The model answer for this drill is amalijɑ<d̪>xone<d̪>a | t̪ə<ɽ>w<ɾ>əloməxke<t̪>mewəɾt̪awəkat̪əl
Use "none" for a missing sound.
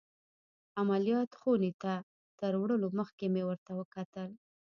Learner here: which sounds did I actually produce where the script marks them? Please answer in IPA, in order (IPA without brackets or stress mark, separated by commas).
t̪, t̪, ɾ, ɽ, none